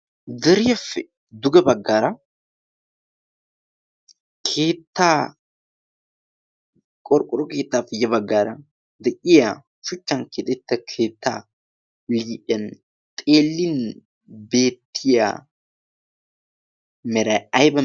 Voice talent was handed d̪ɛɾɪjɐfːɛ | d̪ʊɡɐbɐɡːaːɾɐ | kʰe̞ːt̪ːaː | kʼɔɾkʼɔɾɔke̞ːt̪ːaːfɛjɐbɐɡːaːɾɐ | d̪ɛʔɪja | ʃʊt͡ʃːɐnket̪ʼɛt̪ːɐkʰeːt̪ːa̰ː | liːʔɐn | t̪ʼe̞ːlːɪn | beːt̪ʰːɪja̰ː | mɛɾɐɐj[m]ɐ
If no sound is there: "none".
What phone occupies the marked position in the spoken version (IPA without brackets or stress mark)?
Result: b